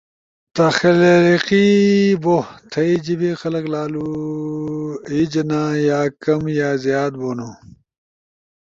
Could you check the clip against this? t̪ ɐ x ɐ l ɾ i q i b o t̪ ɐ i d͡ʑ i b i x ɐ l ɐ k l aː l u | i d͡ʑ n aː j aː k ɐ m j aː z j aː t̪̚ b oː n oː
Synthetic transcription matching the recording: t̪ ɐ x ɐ l ɾ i q i b o t̪ʰ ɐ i d͡ʑ i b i x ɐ l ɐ k l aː l u | i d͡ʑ n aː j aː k ɐ m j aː z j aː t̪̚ b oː n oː